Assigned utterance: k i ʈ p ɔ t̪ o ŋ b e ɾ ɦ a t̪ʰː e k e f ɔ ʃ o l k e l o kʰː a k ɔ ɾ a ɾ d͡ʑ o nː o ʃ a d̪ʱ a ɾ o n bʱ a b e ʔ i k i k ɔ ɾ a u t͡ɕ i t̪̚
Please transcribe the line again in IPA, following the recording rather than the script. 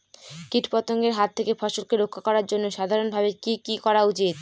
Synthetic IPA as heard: k i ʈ p ɔ t̪ o ŋ ɡ e ɾ ɦ a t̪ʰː e k e f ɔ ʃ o l k e ɾ o kʰː a k ɔ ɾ a ɾ d͡ʑ o nː o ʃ a d̪ʱ a ɾ o n bʱ a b e k i k i k ɔ ɾ a u t͡ɕ i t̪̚